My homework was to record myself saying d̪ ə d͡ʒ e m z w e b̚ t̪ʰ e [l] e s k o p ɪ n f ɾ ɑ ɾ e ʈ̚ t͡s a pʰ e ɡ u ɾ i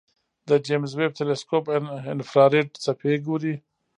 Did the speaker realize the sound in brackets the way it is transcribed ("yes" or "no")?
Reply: yes